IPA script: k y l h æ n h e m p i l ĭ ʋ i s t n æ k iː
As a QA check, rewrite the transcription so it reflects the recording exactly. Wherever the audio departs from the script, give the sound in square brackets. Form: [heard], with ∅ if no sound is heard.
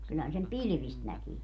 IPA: k y l h æ n [s] e m p i l ĭ ʋ i s t n æ k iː